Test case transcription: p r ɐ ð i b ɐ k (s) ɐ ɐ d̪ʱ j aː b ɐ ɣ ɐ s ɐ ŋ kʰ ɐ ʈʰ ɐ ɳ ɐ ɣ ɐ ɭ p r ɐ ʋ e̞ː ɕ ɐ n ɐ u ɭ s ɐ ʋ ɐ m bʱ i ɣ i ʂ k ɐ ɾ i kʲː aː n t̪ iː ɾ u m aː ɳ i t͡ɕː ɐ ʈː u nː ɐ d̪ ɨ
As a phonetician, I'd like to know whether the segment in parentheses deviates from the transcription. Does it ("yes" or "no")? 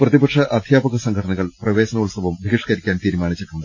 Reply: yes